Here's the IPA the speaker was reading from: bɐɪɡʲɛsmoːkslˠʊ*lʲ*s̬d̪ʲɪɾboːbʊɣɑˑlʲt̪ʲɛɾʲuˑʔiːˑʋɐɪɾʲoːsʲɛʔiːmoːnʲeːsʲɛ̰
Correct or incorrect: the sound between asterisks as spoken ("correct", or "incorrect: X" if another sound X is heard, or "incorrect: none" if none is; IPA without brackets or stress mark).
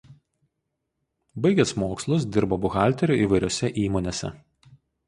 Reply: incorrect: none